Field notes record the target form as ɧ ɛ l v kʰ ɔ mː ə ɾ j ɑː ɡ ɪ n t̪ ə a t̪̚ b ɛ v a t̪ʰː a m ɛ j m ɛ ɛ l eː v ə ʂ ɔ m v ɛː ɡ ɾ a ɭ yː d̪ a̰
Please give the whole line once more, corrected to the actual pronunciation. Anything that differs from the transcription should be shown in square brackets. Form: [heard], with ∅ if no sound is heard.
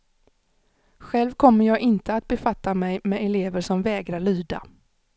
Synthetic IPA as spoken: ɧ ɛ l v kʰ ɔ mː ə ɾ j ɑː ɡ ɪ n t̪ ə a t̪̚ b ɛ [f] a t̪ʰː a m ɛ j m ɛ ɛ l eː v ə ʂ ɔ m v ɛː ɡ ɾ a ɭ yː d̪ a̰